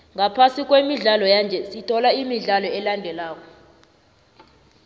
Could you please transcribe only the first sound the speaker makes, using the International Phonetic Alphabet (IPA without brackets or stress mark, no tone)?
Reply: ŋ